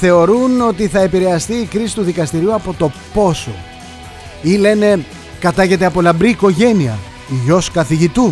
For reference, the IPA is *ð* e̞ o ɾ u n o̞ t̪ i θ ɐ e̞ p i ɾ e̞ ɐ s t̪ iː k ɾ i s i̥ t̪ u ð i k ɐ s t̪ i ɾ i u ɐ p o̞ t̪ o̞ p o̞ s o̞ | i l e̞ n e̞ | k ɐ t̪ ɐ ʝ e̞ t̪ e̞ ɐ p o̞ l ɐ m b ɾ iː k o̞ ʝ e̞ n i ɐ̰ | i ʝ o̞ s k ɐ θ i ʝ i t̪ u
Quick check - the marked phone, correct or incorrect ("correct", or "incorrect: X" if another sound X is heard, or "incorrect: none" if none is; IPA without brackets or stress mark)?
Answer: incorrect: θ